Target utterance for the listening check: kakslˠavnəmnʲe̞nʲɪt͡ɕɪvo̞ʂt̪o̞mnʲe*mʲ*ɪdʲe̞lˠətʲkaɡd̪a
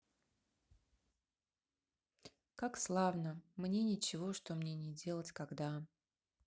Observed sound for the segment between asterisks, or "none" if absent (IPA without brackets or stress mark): nʲ